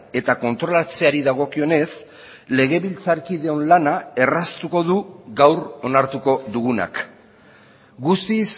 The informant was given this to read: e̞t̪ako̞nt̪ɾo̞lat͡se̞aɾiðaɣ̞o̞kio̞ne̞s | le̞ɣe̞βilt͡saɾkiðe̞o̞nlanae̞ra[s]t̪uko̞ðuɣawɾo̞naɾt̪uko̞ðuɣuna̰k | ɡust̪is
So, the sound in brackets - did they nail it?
yes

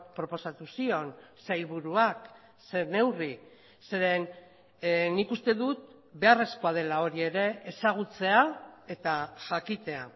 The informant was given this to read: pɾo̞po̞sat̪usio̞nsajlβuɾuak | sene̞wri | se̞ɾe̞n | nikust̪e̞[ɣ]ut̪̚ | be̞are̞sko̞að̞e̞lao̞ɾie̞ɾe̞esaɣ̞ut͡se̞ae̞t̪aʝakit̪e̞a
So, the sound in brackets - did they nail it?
no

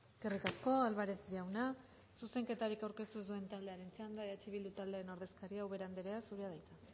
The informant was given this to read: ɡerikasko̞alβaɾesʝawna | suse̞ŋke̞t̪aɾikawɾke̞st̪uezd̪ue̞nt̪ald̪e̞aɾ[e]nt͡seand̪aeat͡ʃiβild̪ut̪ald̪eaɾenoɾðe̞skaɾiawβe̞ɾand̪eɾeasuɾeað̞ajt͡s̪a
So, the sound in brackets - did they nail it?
yes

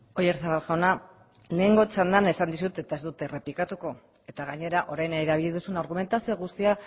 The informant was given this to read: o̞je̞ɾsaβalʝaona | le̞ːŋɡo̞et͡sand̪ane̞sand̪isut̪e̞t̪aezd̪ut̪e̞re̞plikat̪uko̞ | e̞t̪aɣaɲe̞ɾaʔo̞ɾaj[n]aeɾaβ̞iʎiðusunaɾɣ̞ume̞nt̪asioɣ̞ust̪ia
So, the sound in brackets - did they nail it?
yes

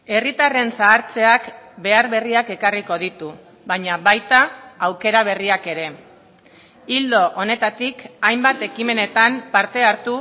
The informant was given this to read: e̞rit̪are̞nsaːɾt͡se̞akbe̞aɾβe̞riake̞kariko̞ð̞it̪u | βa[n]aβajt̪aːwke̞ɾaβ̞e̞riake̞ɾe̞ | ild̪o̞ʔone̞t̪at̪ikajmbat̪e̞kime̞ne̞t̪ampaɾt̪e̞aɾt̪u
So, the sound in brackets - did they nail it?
no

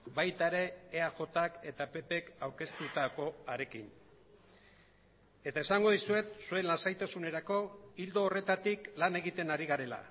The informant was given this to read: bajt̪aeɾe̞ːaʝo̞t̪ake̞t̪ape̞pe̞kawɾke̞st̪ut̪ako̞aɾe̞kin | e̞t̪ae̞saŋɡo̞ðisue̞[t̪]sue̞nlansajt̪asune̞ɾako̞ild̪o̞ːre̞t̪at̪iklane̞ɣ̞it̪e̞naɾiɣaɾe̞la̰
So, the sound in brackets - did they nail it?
yes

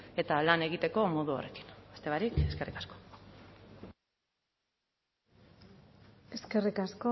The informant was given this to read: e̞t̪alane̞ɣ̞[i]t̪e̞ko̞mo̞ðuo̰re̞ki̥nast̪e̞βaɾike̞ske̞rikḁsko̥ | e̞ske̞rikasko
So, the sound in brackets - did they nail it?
yes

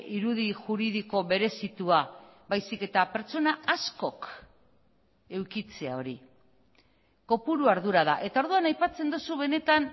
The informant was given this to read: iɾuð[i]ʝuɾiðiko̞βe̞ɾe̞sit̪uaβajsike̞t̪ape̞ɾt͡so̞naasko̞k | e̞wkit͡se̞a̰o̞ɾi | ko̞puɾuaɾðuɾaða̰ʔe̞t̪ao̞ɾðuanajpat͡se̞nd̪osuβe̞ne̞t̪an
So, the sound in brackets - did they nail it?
yes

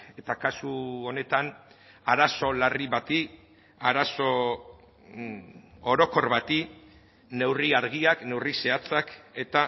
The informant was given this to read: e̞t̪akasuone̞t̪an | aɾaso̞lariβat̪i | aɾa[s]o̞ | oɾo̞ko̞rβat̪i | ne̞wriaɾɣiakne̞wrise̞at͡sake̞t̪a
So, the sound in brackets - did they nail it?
yes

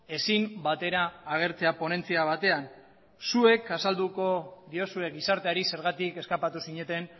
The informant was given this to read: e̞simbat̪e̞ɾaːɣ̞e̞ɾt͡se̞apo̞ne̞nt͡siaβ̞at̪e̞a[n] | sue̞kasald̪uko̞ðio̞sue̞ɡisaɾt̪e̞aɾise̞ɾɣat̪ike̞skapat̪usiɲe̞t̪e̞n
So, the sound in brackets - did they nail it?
yes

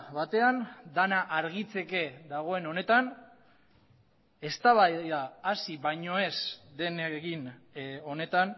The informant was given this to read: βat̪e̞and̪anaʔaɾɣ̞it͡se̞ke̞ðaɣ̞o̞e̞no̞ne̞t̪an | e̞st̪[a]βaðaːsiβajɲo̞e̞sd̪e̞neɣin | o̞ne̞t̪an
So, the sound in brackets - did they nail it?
yes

